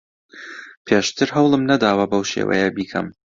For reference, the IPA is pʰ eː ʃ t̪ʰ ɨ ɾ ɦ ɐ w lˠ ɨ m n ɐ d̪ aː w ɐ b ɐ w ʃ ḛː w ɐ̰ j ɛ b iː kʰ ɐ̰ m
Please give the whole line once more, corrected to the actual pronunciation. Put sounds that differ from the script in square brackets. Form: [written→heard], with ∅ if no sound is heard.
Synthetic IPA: pʰ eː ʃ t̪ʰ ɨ ɾ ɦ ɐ w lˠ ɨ m n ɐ d̪ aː w ɐ b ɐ w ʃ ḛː w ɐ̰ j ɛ b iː kʰ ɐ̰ m